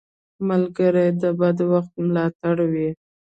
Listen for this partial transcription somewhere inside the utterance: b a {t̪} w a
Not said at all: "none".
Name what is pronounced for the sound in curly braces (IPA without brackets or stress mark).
d̪